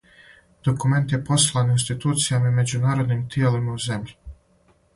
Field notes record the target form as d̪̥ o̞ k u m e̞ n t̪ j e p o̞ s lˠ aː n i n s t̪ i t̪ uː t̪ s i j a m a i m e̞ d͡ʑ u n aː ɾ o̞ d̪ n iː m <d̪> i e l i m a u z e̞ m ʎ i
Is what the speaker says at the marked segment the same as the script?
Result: no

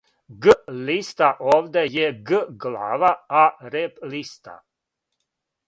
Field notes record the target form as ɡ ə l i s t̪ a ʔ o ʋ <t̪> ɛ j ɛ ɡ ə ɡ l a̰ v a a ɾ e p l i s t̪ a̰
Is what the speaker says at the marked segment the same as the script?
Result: no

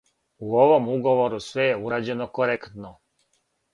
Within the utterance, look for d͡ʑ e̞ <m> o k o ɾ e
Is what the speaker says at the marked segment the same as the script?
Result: no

